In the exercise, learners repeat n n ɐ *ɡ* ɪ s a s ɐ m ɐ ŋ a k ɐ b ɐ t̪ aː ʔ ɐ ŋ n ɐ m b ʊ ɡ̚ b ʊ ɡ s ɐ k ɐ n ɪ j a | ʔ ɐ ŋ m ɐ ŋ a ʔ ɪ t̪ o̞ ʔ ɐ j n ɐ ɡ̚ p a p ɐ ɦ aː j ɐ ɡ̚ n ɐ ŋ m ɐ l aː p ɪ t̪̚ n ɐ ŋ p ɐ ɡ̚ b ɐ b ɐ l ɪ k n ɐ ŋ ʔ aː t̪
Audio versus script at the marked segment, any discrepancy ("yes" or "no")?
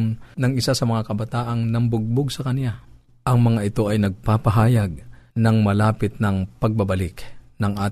yes